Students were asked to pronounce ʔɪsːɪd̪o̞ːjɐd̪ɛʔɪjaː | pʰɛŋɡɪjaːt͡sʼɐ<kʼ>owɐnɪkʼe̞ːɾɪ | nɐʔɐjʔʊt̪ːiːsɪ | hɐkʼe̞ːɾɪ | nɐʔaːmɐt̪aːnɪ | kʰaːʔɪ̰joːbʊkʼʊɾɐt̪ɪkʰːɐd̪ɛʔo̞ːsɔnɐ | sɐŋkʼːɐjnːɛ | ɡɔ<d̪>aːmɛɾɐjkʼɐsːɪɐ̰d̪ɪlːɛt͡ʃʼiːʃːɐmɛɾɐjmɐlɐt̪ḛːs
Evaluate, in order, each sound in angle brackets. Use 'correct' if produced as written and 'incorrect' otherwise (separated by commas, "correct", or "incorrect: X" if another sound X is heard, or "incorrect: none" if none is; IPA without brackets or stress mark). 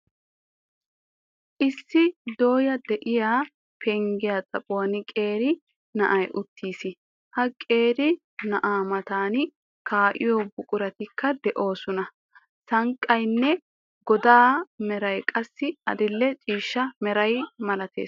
incorrect: pʼ, correct